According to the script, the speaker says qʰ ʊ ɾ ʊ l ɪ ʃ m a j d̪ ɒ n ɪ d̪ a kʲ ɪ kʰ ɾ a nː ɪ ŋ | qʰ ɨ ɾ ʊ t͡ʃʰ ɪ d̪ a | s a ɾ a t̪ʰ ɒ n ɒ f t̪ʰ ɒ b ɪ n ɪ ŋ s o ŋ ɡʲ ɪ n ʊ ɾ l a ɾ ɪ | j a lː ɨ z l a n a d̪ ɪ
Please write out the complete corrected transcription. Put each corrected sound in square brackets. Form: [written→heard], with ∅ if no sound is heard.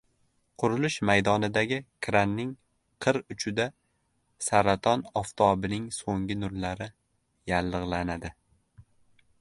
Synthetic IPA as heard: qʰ ʊ ɾ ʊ l ɪ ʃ m a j d̪ ɒ n ɪ d̪ a [kʲ→ɡʲ] ɪ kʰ ɾ a nː ɪ ŋ | qʰ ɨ ɾ ʊ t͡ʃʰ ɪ d̪ a | s a ɾ a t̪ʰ ɒ n ɒ f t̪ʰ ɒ b ɪ n ɪ ŋ s o ŋ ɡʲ ɪ n ʊ ɾ l a ɾ ɪ | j a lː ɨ [z→ʁ] l a n a d̪ ɪ

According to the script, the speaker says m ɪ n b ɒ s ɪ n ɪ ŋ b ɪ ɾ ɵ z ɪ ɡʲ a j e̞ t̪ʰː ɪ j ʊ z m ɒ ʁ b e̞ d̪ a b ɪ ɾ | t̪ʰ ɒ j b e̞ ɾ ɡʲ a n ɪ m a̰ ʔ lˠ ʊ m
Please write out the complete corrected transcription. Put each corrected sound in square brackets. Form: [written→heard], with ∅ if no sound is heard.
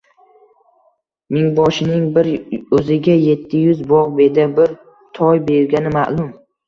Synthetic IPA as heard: m ɪ [n→ŋ] b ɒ [s→ʃ] ɪ n ɪ ŋ b ɪ ɾ ɵ z ɪ ɡʲ a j e̞ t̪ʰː ɪ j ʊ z [m→b] ɒ ʁ b e̞ d̪ a b ɪ ɾ | t̪ʰ ɒ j b e̞ ɾ ɡʲ a n ɪ m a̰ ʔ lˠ ʊ m

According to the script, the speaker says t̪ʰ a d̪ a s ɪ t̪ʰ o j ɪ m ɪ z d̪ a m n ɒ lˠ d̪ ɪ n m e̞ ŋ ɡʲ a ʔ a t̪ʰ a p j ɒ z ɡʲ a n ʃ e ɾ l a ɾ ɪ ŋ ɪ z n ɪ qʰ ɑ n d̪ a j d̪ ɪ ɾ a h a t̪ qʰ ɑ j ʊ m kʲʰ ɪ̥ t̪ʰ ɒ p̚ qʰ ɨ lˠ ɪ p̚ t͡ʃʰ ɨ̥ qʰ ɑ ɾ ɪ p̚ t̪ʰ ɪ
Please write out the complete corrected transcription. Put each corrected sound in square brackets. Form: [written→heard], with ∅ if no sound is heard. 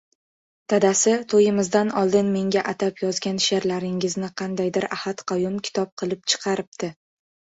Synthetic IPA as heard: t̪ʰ a d̪ a s ɪ t̪ʰ o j ɪ m ɪ z d̪ a [m→∅] n ɒ lˠ d̪ ɪ n m e̞ ŋ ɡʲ a ʔ a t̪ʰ a p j ɒ z ɡʲ a n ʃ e ɾ l a ɾ ɪ ŋ ɪ z n ɪ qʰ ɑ n d̪ a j d̪ ɪ ɾ a h a t̪ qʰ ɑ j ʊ m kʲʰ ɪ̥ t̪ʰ ɒ p̚ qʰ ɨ lˠ ɪ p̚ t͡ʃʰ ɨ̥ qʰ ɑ ɾ ɪ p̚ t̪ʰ ɪ

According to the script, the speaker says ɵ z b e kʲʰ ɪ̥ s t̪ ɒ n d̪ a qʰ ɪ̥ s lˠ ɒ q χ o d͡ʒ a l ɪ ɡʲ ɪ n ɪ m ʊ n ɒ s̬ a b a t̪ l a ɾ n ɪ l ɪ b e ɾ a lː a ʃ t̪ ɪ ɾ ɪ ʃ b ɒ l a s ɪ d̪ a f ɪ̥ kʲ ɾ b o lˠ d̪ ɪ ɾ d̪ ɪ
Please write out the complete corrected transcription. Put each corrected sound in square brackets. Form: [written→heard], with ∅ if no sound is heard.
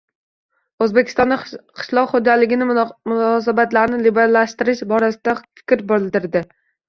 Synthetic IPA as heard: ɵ z b e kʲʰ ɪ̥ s t̪ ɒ n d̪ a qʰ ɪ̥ [s→ʃ] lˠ ɒ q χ o d͡ʒ a l ɪ ɡʲ ɪ n ɪ m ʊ n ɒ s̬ a b a t̪ l a ɾ n ɪ l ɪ b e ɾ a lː a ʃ t̪ ɪ ɾ ɪ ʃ b ɒ [l→ɾ] a s ɪ d̪ a f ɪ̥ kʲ ɾ b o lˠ d̪ ɪ ɾ d̪ ɪ

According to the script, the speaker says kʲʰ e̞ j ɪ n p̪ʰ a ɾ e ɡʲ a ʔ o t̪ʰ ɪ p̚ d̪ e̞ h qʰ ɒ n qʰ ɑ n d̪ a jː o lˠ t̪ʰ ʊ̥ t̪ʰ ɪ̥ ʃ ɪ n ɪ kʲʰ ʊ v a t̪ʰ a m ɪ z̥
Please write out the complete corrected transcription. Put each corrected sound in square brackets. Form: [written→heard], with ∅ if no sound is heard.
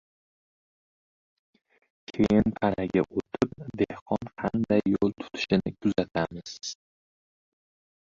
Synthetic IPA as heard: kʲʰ e̞ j ɪ n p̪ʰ a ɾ [e→a] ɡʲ a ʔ o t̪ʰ ɪ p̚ d̪ e̞ h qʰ ɒ n qʰ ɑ n d̪ a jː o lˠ t̪ʰ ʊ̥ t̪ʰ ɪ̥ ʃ ɪ n ɪ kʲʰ ʊ [v→z] a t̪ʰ a m ɪ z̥

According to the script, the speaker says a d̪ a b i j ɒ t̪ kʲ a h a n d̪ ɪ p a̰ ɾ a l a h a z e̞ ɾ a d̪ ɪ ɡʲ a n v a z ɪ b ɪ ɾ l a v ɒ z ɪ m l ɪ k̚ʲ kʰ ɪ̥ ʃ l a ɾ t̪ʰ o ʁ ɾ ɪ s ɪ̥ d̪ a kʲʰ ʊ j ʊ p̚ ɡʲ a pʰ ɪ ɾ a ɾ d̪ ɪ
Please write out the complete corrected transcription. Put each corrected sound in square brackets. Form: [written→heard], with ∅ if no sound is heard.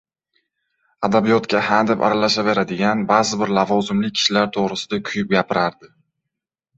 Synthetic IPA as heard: a d̪ a b i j ɒ t̪ kʲ a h a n d̪ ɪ p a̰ ɾ a l a [h→ʃ] a [z→v] e̞ ɾ a d̪ ɪ ɡʲ a n [v→b] a z ɪ b ɪ ɾ l a v ɒ z ɪ m l ɪ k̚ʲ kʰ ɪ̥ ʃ l a ɾ t̪ʰ o ʁ ɾ ɪ s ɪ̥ d̪ a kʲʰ ʊ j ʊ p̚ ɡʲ a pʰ ɪ ɾ a ɾ d̪ ɪ

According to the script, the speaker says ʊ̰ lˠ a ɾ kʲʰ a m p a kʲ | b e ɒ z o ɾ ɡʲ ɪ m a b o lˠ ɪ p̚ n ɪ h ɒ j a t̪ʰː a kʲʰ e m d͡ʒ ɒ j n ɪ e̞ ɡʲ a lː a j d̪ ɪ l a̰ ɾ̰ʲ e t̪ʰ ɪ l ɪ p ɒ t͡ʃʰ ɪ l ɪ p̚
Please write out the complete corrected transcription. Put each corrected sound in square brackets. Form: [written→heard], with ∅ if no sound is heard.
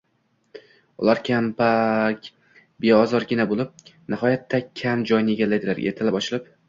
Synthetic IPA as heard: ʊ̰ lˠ a ɾ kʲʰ a m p a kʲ | b e ɒ z [o→ɒ] ɾ ɡʲ ɪ [m→n] a b o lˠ ɪ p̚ n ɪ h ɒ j a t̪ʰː a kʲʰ [e→a] m d͡ʒ ɒ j n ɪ e̞ ɡʲ a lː a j d̪ ɪ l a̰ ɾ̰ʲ e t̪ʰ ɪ l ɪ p ɒ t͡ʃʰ ɪ l ɪ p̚

